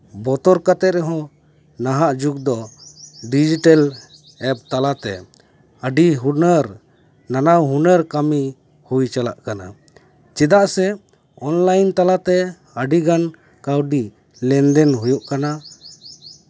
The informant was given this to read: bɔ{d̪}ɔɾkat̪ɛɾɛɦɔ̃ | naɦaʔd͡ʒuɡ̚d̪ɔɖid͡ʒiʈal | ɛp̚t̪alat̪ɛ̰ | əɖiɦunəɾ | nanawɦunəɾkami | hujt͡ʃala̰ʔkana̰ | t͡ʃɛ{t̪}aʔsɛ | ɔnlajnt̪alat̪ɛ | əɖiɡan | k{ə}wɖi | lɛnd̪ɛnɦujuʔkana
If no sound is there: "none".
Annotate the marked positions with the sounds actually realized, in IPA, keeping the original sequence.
t̪, d̪, a

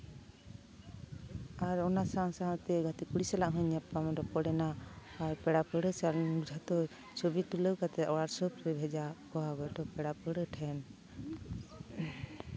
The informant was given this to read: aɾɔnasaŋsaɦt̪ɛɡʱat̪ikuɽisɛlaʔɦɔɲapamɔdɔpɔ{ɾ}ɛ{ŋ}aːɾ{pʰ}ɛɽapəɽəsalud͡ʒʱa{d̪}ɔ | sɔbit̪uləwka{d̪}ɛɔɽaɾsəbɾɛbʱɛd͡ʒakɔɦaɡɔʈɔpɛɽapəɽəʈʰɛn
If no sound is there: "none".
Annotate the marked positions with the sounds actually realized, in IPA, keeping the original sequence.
ɽ, n, p, t̪, t̪

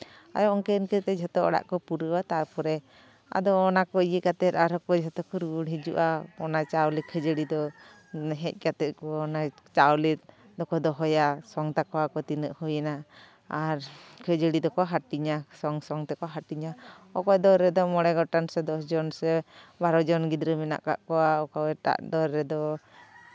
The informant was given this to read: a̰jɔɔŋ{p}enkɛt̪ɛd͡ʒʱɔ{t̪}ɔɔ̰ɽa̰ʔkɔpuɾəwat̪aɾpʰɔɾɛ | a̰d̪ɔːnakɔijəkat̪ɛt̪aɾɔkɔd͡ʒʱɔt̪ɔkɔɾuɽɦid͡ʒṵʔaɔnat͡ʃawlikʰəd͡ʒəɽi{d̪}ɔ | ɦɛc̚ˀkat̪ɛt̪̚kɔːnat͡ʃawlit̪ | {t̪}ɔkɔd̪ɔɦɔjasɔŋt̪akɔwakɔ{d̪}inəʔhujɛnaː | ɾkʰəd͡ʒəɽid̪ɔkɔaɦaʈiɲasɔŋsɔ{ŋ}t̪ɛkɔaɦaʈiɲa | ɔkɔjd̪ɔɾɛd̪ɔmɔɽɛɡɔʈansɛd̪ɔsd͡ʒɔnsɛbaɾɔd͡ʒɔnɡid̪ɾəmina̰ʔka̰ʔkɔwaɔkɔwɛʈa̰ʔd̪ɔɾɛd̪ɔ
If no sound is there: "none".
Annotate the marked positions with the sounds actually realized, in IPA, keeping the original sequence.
k, t̪, d̪, d̪, t̪, ŋ

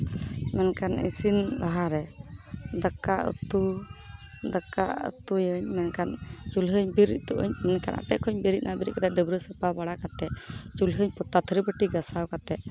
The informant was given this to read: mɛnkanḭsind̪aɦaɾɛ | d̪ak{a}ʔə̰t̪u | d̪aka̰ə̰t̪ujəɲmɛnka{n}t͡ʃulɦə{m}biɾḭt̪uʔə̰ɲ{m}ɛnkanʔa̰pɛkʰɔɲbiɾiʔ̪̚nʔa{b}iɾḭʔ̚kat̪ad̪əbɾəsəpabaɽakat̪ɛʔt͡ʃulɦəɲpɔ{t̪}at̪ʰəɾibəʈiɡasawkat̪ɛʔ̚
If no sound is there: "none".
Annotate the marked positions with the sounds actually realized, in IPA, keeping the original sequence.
a, n, ɲ, m, b, t̪

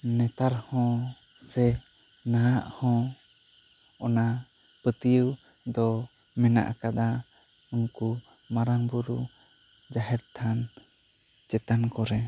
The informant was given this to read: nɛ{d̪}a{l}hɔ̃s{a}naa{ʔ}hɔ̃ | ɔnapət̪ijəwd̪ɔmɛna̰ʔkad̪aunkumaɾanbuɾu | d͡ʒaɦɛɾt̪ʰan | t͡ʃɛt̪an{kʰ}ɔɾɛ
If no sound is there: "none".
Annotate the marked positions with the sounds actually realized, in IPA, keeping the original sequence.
t̪, ɾ, ɛ, ʔ, k

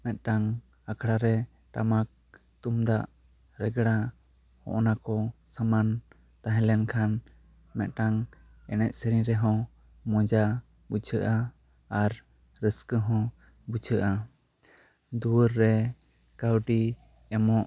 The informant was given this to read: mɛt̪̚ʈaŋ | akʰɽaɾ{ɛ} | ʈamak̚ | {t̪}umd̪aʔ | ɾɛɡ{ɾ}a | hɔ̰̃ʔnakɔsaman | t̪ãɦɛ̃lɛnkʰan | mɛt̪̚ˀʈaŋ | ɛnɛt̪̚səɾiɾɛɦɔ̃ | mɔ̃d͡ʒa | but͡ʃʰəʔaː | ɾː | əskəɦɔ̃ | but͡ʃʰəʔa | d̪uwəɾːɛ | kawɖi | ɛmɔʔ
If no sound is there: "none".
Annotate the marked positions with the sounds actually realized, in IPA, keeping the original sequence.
ɛ, t̪, ɽ

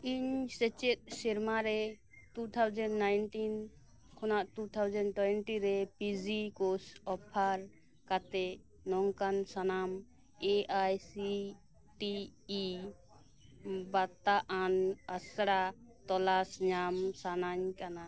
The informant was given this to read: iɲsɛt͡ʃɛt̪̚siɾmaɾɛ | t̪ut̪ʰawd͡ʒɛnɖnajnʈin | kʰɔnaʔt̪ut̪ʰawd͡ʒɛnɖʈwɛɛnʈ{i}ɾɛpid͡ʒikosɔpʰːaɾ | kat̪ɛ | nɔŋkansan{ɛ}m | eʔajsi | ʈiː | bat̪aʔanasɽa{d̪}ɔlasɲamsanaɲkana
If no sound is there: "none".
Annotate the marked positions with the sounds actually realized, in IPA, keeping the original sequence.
i, a, t̪

